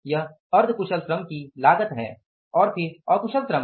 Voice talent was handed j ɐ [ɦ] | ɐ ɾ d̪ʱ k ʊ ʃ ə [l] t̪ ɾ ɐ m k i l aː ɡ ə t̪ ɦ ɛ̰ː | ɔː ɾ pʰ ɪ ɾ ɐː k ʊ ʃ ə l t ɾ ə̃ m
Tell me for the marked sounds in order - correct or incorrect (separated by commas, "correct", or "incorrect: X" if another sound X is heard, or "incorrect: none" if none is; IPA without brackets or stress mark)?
correct, correct